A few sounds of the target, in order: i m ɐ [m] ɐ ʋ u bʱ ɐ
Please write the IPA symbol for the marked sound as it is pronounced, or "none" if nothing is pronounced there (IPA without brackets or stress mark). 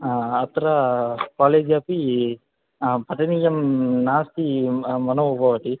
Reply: n